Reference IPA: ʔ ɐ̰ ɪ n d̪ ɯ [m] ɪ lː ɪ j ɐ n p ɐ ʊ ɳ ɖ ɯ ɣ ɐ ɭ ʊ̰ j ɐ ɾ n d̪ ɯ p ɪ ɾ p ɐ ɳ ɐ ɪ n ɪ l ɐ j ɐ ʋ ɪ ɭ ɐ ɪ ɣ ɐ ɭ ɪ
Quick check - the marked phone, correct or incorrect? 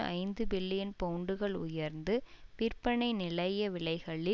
incorrect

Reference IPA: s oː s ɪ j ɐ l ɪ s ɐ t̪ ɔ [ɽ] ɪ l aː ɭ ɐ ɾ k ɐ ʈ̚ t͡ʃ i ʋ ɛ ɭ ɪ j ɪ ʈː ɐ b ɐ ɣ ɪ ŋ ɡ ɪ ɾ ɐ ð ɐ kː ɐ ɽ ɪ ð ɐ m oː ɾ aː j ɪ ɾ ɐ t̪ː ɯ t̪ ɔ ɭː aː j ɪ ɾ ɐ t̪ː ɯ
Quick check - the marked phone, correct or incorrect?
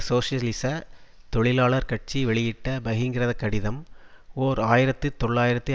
incorrect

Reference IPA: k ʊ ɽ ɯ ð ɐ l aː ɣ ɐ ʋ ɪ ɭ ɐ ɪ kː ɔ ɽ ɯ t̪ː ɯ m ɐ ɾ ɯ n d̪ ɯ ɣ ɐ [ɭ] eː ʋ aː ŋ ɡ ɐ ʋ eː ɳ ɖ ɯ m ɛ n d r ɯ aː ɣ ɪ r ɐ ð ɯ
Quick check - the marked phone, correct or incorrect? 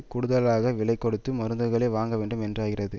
correct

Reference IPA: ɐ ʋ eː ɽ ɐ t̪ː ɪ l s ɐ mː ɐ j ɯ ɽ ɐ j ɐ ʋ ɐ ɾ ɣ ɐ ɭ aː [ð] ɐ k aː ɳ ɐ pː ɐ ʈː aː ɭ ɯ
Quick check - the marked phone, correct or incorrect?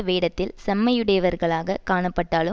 incorrect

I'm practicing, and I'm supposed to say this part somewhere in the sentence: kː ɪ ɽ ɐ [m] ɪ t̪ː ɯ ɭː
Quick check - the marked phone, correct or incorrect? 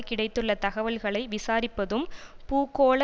incorrect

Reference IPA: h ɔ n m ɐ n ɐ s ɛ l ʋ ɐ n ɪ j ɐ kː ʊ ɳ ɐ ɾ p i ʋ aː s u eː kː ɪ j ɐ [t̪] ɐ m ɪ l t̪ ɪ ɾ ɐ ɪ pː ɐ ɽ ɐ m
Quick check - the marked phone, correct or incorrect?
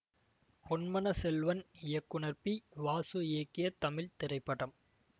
correct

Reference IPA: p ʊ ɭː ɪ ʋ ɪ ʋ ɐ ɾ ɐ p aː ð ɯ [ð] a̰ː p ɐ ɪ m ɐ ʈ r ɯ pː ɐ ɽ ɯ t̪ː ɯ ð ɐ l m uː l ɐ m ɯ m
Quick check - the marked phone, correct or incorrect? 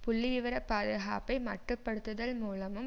incorrect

